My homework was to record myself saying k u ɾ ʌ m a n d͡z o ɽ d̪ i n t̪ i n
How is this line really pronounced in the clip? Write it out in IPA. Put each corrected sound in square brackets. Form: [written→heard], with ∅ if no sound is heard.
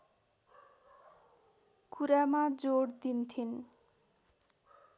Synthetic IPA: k u ɾ [ʌ→a] m a [n→∅] d͡z o ɽ d̪ i n [t̪→t̪ʰ] i n